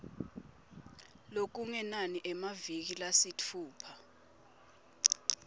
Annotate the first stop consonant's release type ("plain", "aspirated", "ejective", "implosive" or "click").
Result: plain